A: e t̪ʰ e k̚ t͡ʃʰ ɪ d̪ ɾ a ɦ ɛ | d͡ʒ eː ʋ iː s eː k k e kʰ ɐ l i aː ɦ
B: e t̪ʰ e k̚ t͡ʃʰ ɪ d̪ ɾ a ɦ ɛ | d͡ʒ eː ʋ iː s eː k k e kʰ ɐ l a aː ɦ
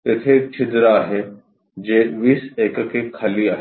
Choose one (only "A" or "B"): A